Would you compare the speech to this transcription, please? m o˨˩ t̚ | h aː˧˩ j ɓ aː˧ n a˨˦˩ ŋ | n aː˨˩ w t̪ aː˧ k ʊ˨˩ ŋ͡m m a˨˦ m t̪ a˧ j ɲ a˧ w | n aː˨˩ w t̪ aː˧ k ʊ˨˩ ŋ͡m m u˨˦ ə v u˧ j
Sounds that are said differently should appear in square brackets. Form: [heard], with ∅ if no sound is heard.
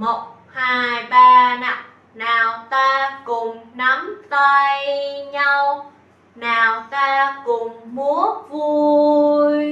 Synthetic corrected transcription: m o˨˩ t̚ | h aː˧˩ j ɓ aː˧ n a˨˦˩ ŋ | n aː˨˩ w t̪ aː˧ k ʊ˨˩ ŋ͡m [n] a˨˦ m t̪ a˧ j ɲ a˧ w | n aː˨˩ w t̪ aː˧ k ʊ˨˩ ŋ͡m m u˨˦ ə v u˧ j